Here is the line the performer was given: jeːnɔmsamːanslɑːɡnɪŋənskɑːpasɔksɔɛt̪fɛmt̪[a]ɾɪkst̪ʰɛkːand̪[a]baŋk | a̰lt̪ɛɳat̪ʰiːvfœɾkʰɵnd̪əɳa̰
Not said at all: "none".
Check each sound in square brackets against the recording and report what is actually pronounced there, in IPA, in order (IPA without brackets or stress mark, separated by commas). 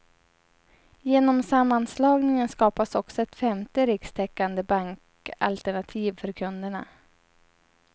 ə, ə